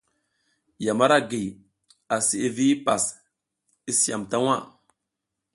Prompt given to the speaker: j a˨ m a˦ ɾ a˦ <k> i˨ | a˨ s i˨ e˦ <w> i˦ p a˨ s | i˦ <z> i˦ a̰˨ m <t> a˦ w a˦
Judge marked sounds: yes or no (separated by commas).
no, no, no, yes